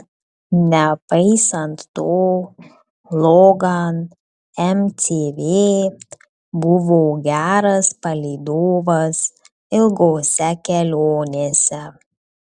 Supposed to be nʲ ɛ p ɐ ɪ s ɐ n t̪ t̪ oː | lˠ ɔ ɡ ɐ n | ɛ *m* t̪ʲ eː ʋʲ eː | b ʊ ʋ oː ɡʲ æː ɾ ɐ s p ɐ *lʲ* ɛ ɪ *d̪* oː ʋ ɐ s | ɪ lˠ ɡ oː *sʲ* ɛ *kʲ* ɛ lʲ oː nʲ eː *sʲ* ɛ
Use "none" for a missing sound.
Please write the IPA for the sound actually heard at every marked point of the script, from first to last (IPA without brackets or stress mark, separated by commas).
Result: m, lʲ, d̪, sʲ, kʲ, sʲ